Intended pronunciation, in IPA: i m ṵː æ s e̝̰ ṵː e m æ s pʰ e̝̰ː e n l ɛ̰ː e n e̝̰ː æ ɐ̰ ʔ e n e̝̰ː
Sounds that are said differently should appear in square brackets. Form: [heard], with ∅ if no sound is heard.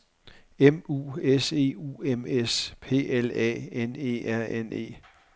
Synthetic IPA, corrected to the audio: [e] m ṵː [e] s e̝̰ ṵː e m [e] s pʰ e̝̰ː e [∅] l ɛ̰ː e n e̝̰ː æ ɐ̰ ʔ e n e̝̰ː